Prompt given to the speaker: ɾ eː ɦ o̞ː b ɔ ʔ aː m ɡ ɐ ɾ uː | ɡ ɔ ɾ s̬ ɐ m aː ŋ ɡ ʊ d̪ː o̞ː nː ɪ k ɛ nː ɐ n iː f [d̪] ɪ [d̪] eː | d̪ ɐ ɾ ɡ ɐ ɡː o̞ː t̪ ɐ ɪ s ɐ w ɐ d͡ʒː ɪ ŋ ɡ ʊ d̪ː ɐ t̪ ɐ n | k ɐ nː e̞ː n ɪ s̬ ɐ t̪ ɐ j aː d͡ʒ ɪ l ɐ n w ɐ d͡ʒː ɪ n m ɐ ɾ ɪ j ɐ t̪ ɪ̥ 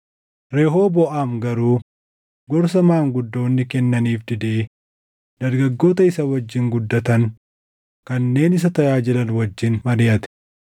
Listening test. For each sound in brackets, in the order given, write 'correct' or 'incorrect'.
correct, correct

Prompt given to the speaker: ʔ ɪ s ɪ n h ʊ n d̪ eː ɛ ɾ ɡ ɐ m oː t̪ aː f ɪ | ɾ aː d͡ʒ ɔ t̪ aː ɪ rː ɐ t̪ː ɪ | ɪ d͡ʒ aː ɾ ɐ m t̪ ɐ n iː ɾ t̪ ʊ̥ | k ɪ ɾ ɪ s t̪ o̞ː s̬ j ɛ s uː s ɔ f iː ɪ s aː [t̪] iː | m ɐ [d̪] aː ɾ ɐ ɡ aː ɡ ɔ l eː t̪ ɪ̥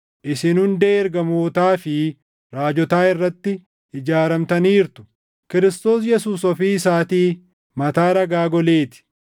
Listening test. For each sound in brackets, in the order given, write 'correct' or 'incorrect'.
correct, incorrect: t̪

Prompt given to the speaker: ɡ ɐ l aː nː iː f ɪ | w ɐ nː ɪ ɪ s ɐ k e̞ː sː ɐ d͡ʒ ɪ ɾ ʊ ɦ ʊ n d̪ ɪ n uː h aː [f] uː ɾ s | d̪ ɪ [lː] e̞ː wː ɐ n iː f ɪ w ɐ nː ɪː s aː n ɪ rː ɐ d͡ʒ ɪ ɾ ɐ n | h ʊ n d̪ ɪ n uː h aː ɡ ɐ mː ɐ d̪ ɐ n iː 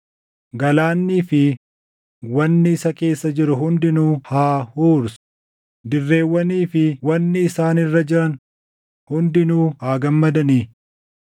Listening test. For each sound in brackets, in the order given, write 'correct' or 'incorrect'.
incorrect: h, incorrect: rː

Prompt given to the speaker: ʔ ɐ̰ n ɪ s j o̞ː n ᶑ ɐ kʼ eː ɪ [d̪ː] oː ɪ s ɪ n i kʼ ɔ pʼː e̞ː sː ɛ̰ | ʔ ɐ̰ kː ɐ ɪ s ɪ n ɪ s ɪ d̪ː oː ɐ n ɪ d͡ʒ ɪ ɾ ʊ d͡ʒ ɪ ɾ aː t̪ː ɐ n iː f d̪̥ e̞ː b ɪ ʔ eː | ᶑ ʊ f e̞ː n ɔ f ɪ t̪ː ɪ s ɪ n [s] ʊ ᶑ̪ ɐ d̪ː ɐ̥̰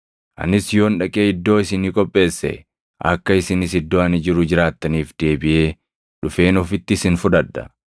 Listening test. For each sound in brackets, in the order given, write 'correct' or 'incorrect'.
correct, incorrect: f

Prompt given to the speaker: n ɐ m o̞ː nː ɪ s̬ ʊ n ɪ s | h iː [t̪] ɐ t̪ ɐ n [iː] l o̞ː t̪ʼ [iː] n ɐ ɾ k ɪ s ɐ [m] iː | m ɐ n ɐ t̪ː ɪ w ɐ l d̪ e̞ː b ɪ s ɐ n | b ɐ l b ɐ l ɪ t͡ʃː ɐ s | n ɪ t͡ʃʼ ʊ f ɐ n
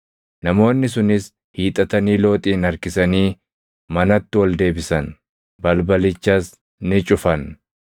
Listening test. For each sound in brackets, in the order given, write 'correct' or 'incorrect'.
incorrect: t̪ʼ, correct, correct, incorrect: n

